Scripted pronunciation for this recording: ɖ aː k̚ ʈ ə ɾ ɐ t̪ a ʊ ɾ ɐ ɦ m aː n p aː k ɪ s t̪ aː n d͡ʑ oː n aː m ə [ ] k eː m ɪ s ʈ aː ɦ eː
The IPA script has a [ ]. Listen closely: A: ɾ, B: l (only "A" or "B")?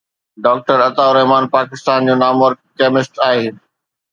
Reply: A